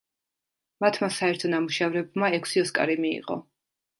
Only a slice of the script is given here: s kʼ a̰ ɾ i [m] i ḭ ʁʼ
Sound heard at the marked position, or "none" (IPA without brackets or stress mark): m